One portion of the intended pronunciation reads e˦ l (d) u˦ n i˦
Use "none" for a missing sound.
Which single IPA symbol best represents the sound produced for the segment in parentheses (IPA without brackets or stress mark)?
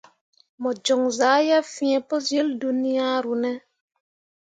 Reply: d